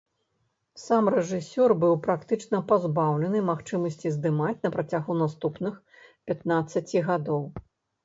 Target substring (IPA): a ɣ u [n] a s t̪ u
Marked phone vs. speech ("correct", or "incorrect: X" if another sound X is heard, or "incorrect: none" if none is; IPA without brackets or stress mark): correct